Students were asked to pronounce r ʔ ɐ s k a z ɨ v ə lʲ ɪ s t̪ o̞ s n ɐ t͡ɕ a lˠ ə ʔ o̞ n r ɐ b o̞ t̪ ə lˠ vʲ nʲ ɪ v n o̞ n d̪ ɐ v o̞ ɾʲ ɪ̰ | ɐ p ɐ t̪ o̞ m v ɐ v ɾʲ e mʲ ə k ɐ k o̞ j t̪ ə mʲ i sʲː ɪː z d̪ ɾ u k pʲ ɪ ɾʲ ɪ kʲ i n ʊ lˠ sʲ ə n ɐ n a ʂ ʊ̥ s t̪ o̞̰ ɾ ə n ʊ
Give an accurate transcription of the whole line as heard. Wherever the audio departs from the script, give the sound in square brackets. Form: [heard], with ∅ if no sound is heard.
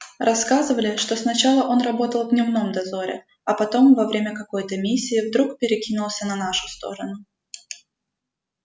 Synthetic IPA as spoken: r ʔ ɐ s k a z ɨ v ə lʲ ɪ [ʂ] t̪ o̞ s n ɐ t͡ɕ a lˠ ə ʔ o̞ n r ɐ b o̞ t̪ ə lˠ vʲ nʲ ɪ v n o̞ [m] d̪ ɐ [z] o̞ ɾʲ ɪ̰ | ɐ p ɐ t̪ o̞ m v ɐ v ɾʲ e mʲ ə k ɐ k o̞ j t̪ ə mʲ i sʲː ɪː [v] d̪ ɾ u k pʲ ɪ ɾʲ ɪ kʲ i n ʊ lˠ sʲ ə n ɐ n a ʂ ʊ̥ s t̪ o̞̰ ɾ ə n ʊ